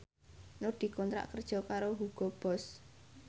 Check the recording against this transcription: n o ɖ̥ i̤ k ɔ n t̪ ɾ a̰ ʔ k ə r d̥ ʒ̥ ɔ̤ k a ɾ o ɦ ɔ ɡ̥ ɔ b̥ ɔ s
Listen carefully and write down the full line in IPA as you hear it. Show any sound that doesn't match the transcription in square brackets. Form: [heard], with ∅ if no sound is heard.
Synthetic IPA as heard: n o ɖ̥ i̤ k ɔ n t̪ ɾ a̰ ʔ k ə r d̥ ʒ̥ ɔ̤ k a ɾ o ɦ [u] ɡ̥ ɔ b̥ ɔ s